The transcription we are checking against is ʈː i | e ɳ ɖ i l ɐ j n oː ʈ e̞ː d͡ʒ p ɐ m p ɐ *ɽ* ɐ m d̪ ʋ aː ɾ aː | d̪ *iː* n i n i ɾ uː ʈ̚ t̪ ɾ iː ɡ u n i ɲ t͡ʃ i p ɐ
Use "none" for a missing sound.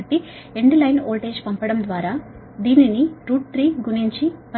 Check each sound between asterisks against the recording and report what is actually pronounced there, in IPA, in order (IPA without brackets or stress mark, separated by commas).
ɽ, iː